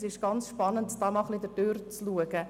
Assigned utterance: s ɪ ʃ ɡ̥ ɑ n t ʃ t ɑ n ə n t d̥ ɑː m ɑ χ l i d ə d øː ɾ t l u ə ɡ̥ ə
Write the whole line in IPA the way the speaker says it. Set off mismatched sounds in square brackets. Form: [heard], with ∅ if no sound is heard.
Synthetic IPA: s ɪ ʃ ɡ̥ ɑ n [t͡s] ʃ [p] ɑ n ə n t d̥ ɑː m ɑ χ l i d ə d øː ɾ [t͡s] l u ə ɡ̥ ə